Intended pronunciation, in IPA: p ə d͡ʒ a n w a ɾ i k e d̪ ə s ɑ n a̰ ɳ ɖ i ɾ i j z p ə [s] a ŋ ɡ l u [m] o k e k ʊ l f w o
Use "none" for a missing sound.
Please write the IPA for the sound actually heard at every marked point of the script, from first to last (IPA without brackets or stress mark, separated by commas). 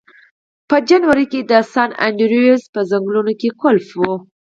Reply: z, n